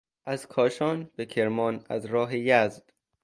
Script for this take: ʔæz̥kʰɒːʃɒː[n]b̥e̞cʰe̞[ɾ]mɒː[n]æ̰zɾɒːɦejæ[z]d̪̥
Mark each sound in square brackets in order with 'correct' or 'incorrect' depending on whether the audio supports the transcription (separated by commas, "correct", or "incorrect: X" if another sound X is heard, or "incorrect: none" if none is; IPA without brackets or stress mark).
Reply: correct, correct, correct, correct